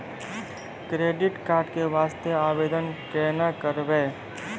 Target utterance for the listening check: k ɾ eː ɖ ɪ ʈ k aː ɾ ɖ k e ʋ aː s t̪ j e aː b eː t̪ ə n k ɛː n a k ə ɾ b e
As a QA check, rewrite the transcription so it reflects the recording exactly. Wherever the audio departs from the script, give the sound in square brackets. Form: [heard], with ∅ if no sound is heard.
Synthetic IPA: k ɾ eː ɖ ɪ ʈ k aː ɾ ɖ k e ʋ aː s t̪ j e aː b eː [d̪] ə n k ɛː n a k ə ɾ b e